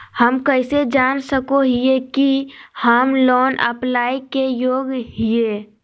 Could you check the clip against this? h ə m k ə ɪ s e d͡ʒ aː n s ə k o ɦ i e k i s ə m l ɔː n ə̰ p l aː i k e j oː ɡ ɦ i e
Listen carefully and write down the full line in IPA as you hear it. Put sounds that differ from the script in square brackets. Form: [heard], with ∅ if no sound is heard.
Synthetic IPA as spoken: h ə m k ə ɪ s e d͡ʒ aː n s ə k o ɦ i e k i [h] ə m l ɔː n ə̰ p l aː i k e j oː ɡ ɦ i e